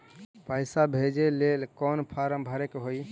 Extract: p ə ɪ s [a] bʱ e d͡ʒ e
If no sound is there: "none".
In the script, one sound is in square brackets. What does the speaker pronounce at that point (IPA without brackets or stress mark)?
a